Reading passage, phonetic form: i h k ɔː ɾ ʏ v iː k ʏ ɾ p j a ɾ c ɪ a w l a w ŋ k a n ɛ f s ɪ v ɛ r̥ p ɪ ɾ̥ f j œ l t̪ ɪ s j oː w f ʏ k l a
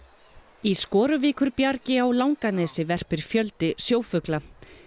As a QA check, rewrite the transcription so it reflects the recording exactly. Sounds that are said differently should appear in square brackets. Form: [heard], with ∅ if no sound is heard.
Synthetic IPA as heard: i [s] k ɔː ɾ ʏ v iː k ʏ ɾ p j a ɾ c ɪ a w l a w ŋ k a n ɛ [∅] s ɪ v ɛ r̥ p ɪ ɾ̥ f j œ l t̪ ɪ s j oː w f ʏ k l a